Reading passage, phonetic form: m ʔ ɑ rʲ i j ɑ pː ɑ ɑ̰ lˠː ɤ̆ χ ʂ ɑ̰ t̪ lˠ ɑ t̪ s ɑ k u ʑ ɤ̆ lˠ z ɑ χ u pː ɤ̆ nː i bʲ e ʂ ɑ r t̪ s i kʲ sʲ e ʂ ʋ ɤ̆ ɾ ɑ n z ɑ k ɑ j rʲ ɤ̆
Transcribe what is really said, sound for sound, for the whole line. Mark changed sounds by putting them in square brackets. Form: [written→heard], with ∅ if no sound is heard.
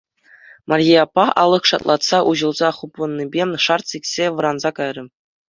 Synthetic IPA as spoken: m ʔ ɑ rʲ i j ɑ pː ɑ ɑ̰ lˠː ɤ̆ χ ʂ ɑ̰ t̪ lˠ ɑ t̪ s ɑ [k→ʔ] u ʑ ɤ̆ lˠ z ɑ χ u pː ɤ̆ nː i bʲ e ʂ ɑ r t̪ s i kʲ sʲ e [ʂ→∅] ʋ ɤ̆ ɾ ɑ n z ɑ k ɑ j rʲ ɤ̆